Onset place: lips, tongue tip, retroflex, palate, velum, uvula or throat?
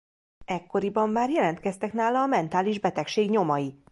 velum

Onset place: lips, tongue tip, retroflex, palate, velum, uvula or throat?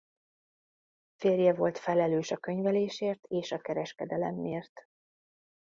lips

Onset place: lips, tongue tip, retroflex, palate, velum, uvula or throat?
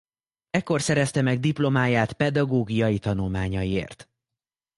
velum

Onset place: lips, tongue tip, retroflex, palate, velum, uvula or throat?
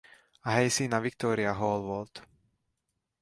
throat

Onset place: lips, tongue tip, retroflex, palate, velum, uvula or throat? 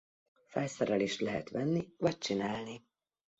lips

